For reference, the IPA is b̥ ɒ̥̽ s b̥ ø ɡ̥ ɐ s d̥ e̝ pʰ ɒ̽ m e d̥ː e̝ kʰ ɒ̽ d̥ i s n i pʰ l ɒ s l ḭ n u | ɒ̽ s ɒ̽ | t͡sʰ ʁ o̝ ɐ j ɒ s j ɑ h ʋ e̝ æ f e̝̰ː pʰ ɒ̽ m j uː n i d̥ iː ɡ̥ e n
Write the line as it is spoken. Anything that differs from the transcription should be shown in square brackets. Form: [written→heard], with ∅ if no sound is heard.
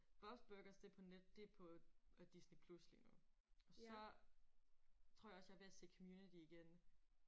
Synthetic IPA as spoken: b̥ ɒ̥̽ s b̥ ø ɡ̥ ɐ s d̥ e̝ pʰ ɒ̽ [m→n] e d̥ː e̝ [kʰ→pʰ] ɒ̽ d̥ i s n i pʰ l [ɒ→u] s l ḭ n u | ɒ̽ s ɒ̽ | t͡sʰ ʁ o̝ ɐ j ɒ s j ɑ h ʋ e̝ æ [f→s] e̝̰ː [pʰ→kʰ] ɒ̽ m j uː n i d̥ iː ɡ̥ e n